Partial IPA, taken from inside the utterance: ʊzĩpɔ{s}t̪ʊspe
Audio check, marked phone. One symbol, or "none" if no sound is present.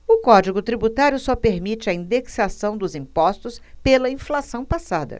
s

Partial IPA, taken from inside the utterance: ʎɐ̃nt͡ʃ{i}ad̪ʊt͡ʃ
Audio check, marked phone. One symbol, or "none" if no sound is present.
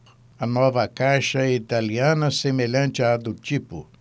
ɪ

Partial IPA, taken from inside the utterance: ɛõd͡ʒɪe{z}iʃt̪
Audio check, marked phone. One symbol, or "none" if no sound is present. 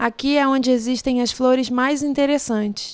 z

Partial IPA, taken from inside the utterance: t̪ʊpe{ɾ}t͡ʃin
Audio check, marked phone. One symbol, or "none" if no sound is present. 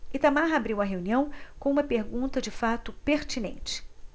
ɾ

